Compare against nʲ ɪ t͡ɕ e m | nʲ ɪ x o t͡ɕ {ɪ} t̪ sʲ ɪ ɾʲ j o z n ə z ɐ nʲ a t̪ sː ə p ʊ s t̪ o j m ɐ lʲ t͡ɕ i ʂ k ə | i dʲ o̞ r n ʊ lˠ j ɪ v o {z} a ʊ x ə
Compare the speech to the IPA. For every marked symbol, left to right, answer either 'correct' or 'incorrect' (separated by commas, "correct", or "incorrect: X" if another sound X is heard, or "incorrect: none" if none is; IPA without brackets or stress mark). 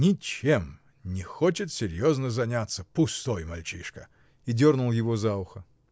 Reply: correct, correct